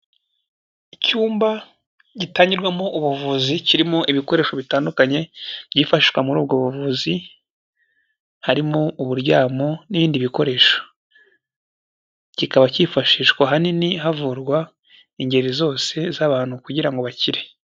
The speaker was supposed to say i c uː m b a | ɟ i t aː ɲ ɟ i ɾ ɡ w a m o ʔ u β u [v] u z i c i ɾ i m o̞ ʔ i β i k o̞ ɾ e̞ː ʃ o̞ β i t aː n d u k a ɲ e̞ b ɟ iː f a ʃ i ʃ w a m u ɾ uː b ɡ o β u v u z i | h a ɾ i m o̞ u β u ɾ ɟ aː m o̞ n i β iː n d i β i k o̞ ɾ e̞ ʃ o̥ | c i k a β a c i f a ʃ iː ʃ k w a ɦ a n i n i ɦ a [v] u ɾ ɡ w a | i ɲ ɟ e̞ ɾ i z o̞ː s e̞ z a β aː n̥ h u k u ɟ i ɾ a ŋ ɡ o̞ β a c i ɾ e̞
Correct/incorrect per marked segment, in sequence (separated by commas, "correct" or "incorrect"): correct, correct